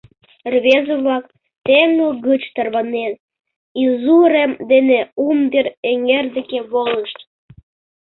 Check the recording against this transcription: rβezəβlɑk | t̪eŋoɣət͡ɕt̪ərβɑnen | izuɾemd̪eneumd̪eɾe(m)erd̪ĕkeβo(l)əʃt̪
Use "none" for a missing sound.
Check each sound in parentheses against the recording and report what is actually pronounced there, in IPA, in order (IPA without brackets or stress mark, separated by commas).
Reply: ŋ, l